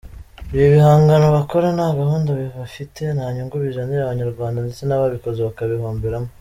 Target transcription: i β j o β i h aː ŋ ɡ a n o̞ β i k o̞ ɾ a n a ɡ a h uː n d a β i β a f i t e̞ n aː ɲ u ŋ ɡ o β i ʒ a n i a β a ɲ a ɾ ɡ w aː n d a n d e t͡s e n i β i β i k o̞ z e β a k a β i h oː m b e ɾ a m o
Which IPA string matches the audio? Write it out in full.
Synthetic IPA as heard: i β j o β i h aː ŋ ɡ a n o̞ β a k o̞ ɾ a n a ɡ a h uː n d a β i β a f i t e̞ n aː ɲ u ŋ ɡ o β i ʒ a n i a β a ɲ a ɾ ɡ w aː n d a n d e t͡s e n a β a β i k o̞ z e β a k a β i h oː m b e ɾ a m o